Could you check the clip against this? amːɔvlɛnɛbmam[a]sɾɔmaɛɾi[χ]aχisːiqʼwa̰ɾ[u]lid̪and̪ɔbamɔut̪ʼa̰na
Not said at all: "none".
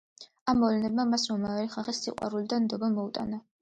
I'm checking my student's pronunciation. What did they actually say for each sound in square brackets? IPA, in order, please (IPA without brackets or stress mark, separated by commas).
a, χ, u